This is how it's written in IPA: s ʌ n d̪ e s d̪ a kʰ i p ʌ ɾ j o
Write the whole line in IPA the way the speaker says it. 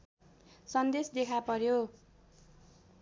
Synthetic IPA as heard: s ʌ n d̪ e s d̪ e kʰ a p ʌ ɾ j o